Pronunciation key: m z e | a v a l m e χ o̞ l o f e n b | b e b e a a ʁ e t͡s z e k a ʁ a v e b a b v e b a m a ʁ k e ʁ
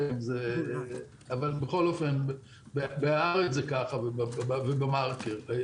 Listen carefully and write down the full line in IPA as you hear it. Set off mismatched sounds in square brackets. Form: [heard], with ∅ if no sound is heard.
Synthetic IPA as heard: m z e | a v a l [b] e χ o̞ l o f e n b | b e b e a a ʁ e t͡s z e k a [χ] a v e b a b v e b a m a ʁ k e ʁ